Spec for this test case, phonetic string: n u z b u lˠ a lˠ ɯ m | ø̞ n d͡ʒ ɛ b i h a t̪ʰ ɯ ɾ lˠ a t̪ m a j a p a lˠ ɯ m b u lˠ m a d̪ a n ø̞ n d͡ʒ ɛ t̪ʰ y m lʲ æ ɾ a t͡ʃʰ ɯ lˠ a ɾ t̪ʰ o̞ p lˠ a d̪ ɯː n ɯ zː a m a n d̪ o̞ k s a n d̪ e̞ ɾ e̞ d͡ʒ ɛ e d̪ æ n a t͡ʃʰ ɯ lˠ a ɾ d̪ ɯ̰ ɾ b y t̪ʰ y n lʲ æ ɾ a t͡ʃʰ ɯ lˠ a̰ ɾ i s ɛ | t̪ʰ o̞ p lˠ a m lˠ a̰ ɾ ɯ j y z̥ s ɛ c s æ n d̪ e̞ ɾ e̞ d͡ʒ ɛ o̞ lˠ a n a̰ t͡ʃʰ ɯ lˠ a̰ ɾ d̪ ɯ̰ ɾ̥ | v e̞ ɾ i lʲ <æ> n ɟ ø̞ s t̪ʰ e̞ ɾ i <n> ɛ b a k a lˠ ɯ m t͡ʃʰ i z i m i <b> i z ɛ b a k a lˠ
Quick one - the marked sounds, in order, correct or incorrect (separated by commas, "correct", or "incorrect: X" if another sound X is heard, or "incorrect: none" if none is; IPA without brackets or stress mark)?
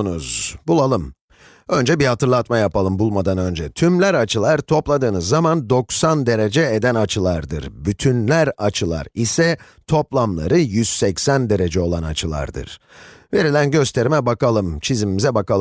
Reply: correct, incorrect: m, incorrect: m